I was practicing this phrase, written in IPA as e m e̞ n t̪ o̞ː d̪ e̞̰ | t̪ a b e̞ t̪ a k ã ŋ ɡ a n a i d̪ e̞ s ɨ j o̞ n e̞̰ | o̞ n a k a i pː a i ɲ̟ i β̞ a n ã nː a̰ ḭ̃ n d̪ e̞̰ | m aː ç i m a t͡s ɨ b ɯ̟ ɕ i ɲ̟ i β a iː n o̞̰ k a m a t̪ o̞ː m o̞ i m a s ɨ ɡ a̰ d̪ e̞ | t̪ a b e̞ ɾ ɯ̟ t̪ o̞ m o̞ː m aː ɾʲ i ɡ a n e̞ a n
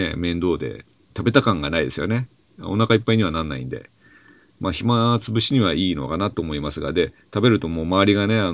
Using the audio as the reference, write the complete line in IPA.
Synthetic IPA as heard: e m ẽ̞ n d̪ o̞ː d̪ e̞̰ | t̪ a b e̞ t̪ a k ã ŋ ɡ a n a i d̪ e̞ s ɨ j o̞ n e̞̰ | o̞ n a k a i pː a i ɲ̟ i β̞ a n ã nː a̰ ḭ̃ n d̪ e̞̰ | m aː ç i m a t͡s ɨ b ɯ̟ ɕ i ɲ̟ i β a iː n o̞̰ k a n a t̪ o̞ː m o̞ i m a s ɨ ɡ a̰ d̪ e̞ | t̪ a b e̞ ɾ ɯ̟ t̪ o̞ m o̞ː m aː ɾʲ i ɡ a n e̞ a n